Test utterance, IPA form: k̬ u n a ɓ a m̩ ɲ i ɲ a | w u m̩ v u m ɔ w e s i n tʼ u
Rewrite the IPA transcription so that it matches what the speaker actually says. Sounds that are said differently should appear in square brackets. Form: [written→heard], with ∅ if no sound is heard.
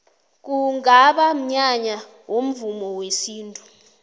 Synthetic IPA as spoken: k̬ u [n→ŋ] a ɓ a m̩ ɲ [i→a] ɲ a | w [u→o] m̩ v u m ɔ w e s [i→iː] n tʼ u